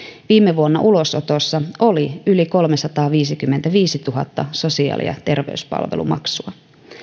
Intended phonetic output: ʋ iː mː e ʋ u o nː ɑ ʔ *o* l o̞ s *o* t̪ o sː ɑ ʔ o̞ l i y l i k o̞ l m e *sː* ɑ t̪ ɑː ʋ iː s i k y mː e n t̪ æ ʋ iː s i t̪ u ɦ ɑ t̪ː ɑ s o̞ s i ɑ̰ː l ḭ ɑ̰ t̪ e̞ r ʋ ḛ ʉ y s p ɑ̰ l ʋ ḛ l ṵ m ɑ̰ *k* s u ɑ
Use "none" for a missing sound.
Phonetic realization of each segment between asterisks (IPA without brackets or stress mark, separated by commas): u, o, s, k